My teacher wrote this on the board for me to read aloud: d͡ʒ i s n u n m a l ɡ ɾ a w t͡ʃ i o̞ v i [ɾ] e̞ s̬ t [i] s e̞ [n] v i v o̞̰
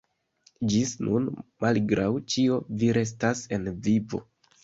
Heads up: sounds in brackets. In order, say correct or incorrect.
correct, incorrect: a, correct

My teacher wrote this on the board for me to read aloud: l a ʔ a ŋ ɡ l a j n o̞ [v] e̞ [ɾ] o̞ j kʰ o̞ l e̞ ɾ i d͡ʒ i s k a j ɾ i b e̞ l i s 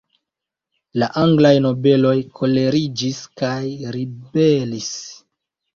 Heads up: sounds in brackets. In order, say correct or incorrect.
incorrect: b, incorrect: l

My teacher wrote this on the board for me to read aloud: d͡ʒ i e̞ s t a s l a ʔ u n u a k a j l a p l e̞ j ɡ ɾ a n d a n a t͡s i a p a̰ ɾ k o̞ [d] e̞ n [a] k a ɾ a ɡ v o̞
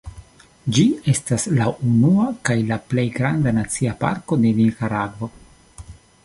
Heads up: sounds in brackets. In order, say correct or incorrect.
correct, incorrect: i

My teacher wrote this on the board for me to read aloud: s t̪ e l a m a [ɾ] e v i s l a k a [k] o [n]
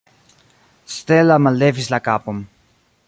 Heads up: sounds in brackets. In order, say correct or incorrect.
incorrect: l, incorrect: p, incorrect: m

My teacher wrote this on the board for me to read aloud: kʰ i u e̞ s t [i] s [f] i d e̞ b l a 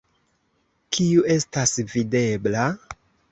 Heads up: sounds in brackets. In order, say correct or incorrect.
incorrect: a, incorrect: v

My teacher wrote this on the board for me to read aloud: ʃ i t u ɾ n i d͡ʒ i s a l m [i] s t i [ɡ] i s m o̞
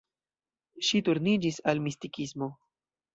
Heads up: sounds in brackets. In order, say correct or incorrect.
correct, incorrect: k

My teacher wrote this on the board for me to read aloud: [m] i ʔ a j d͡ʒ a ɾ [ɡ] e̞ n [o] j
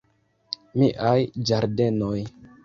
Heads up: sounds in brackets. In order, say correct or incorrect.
correct, incorrect: d, correct

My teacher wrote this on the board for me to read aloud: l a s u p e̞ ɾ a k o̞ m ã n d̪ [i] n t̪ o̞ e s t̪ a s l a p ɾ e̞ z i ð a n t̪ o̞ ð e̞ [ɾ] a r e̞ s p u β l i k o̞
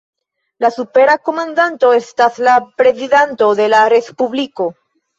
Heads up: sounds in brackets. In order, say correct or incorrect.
incorrect: a, incorrect: l

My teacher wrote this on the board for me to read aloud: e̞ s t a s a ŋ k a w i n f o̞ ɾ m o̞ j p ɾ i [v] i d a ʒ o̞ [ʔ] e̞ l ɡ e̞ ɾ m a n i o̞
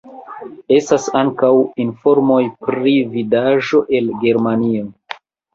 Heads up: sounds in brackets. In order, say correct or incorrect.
correct, correct

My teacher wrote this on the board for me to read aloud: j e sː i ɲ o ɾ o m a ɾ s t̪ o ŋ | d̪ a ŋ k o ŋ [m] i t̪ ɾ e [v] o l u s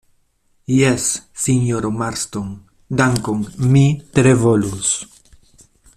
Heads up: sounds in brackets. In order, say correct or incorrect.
correct, correct

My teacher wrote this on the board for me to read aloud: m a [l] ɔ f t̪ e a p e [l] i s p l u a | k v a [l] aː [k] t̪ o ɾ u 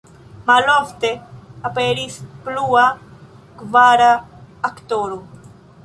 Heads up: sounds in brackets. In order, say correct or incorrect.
correct, incorrect: ɾ, incorrect: ɾ, correct

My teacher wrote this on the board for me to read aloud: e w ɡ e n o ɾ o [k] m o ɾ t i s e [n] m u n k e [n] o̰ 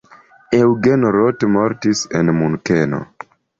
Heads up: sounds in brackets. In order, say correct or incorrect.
incorrect: t, correct, correct

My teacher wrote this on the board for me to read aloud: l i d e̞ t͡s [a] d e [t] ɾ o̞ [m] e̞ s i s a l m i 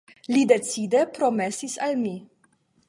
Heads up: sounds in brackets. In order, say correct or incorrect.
incorrect: i, incorrect: p, correct

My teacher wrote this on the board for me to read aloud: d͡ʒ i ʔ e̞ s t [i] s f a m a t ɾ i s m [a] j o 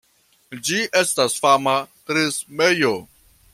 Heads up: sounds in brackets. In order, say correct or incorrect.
incorrect: a, incorrect: e

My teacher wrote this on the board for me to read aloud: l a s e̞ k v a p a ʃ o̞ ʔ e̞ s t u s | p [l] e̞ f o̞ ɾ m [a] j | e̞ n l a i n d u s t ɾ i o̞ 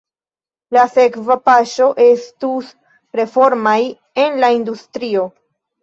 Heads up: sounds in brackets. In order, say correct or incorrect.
incorrect: ɾ, correct

